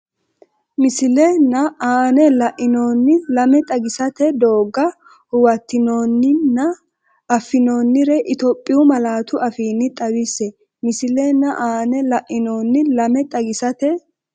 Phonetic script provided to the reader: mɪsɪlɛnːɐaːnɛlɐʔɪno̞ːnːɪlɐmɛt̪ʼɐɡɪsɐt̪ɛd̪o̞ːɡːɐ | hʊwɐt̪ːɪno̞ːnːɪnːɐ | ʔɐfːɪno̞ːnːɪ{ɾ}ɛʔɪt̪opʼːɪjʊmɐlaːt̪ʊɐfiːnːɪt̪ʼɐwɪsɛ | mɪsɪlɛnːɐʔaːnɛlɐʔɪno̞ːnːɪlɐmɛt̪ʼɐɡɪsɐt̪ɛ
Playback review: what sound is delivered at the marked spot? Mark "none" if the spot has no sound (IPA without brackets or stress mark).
ɾ